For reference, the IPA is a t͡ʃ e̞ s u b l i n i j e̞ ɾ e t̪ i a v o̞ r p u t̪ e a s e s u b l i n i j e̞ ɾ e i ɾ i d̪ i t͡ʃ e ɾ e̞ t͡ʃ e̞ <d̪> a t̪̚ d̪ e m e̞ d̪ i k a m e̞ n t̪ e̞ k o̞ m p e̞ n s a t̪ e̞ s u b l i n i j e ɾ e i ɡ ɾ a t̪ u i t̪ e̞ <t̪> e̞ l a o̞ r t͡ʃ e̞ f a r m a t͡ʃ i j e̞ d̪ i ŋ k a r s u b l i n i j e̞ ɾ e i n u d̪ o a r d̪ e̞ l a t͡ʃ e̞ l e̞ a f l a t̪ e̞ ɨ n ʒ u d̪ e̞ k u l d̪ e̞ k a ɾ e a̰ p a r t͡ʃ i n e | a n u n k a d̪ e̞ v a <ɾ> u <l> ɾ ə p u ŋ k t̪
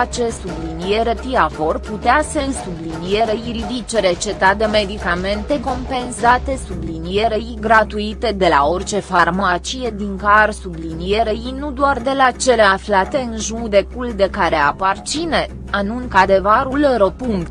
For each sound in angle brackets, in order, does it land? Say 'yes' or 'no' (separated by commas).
no, no, yes, yes